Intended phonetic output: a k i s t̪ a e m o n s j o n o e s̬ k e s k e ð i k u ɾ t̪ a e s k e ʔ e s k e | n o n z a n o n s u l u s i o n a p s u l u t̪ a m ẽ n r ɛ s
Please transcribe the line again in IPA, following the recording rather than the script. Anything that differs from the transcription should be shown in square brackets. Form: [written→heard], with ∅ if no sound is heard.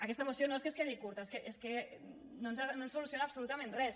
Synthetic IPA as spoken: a k [i→ɛ] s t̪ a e m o [n→∅] s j o n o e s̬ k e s k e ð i k u ɾ t̪ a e s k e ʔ e s k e | n o n z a n o n s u l u s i o n a p s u l u t̪ a m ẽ n r ɛ s